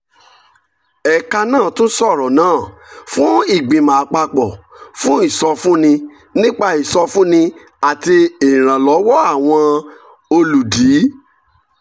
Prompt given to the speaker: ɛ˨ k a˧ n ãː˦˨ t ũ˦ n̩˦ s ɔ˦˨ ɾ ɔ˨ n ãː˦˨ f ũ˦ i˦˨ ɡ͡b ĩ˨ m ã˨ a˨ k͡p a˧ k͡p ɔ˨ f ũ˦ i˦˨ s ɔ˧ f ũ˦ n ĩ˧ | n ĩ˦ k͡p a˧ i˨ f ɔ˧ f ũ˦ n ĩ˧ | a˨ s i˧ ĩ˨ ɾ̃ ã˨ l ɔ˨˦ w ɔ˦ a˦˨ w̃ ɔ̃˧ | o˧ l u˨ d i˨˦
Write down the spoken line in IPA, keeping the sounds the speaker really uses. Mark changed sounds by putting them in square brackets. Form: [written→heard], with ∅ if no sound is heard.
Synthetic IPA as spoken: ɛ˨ k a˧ n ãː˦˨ t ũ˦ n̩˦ s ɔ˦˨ ɾ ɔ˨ n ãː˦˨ f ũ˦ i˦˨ ɡ͡b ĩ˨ m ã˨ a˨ k͡p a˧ k͡p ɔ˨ f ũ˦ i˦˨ s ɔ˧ f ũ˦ n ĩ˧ | n ĩ˦ k͡p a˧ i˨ [f→s] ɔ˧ f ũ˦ n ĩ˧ | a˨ [s→t] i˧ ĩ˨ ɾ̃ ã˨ l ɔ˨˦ w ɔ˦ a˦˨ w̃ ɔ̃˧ | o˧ l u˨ d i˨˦

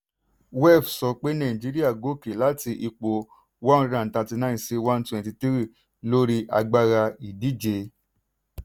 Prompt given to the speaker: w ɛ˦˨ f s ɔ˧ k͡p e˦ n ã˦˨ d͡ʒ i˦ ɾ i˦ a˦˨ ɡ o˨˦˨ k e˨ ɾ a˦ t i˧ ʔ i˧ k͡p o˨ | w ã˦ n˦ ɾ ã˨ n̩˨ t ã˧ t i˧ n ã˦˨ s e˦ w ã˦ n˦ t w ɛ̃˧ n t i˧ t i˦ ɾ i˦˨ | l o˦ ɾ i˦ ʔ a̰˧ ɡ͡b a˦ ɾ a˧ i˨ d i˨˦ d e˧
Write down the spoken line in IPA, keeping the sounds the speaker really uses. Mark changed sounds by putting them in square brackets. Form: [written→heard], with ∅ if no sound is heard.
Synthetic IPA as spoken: w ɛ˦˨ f s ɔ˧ k͡p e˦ n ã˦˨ d͡ʒ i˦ ɾ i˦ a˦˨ ɡ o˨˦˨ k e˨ [ɾ→l] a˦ t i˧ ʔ i˧ k͡p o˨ | w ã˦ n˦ ɾ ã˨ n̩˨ t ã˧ t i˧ n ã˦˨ s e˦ w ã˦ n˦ t w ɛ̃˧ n t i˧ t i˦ ɾ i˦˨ | l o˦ ɾ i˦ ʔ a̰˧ ɡ͡b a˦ ɾ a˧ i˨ d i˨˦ [d→d͡ʒ] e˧

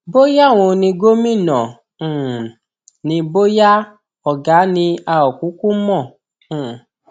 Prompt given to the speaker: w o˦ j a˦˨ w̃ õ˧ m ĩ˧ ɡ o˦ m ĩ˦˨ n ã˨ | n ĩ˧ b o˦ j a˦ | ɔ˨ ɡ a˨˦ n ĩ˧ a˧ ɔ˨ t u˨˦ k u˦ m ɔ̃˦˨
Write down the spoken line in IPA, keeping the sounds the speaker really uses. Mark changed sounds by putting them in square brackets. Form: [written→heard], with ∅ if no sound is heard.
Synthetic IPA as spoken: [w→b] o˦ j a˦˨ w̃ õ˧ [m→n] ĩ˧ ɡ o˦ m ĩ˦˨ n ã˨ | n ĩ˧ b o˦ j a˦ | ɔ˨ ɡ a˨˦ n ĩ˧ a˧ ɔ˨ [t→k] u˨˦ k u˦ m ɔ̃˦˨

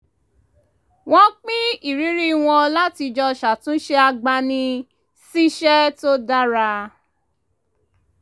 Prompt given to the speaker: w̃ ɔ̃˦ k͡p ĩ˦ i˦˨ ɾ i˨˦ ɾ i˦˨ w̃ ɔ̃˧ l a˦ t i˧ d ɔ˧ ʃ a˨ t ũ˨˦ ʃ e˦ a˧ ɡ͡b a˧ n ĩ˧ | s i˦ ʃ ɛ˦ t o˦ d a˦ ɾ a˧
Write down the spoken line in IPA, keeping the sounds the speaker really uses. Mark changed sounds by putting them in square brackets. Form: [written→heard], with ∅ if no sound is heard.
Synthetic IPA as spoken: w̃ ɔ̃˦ k͡p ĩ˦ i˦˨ ɾ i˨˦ ɾ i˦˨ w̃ ɔ̃˧ l a˦ t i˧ [d→d͡ʒ] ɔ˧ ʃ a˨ t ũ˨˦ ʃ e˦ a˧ ɡ͡b a˧ n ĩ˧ | s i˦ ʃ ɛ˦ t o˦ d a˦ ɾ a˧

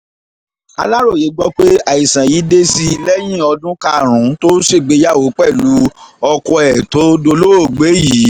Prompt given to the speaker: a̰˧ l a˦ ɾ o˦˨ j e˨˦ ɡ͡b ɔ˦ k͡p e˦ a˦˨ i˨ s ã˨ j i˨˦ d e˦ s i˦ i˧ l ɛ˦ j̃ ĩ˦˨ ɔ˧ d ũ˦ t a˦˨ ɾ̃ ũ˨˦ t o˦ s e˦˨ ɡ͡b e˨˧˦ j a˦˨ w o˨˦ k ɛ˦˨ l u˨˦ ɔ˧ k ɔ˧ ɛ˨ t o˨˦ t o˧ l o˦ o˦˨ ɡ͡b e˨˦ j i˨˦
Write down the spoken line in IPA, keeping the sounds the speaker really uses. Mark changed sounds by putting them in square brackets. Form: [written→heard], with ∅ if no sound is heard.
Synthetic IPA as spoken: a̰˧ l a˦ ɾ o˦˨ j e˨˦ ɡ͡b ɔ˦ k͡p e˦ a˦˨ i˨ s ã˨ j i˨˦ d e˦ s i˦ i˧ l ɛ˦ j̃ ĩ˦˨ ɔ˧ d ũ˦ [t→k] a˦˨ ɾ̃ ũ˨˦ t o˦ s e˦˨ ɡ͡b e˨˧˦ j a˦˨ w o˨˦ [k→k͡p] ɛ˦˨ l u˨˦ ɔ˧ k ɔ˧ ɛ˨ t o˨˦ [t→d] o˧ l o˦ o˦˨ ɡ͡b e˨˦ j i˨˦

